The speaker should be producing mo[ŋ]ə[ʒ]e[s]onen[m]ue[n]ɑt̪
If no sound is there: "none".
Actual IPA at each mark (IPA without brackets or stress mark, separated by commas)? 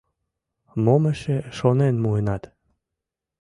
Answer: m, ʃ, ʃ, m, n